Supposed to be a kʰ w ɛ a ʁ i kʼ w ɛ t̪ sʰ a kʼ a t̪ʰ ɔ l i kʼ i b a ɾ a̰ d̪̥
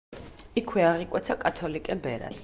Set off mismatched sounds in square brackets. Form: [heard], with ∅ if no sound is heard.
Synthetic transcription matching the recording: [i] kʰ w ɛ a ʁ i kʼ w ɛ t̪ sʰ a kʼ a t̪ʰ ɔ l i kʼ [ɛ] b [ɛ] ɾ a̰ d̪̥